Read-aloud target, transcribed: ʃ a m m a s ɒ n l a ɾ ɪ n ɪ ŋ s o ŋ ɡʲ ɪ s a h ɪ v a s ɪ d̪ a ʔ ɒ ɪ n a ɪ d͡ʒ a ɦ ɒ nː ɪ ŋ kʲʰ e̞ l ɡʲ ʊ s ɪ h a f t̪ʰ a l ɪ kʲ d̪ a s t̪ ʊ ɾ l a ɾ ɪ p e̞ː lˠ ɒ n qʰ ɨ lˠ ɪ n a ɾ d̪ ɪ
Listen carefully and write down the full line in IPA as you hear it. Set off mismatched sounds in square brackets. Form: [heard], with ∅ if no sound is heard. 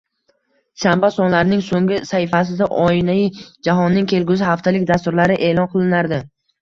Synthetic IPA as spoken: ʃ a m [b] a s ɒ n l a ɾ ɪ n ɪ ŋ s o ŋ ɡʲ ɪ s a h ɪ [f] a s ɪ d̪ a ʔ ɒ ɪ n a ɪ d͡ʒ a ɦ ɒ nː ɪ ŋ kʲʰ e̞ l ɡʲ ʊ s ɪ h a f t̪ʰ a l ɪ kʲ d̪ a s t̪ ʊ ɾ l a ɾ ɪ [ʔ] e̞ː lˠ ɒ n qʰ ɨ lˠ ɪ n a ɾ d̪ ɪ